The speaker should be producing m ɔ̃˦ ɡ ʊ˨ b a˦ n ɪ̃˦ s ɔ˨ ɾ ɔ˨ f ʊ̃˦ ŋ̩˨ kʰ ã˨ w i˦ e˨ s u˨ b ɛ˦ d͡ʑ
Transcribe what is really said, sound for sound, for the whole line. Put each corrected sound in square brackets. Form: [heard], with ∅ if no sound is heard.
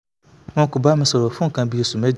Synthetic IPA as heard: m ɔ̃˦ [k] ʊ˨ b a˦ [m] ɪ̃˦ s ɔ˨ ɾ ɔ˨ f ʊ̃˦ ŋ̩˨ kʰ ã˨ [b] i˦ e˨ s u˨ [m] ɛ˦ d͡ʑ